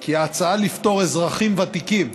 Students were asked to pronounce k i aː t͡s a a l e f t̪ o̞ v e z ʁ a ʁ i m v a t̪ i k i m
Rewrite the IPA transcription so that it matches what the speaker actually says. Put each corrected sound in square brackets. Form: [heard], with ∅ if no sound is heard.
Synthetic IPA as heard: k i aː t͡s a a l [i] f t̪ o̞ [ʁ] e z ʁ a [χ] i m v a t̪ i k i m